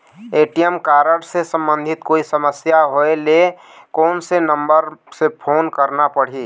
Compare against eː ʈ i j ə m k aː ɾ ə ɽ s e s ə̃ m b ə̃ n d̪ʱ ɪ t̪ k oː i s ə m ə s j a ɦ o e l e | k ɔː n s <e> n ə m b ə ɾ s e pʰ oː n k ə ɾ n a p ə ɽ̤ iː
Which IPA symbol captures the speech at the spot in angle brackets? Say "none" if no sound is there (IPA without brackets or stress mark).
e